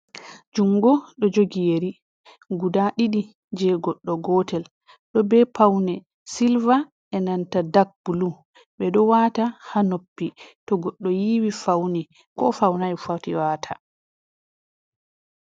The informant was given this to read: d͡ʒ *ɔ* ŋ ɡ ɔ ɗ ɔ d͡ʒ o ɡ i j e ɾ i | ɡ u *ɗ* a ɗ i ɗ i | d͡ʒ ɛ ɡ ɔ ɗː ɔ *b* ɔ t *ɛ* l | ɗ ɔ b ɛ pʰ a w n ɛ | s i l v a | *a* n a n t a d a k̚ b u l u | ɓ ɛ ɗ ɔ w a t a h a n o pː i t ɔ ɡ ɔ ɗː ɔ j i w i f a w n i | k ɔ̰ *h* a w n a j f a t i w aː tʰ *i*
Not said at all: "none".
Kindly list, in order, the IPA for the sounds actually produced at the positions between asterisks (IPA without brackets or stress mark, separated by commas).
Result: u, d, ɡ, ɛ, ɛ, f, a